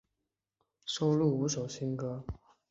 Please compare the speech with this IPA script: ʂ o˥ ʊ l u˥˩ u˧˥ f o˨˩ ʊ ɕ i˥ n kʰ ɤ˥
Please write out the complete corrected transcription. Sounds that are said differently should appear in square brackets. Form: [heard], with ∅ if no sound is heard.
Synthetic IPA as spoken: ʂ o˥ ʊ l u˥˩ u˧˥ [ʂ] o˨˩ ʊ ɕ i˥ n [k] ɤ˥